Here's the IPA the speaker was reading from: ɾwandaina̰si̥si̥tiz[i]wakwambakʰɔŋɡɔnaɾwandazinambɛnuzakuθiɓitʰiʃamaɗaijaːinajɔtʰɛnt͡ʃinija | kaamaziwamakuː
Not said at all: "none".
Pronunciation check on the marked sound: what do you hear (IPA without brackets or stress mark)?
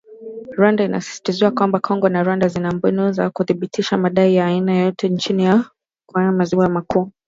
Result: i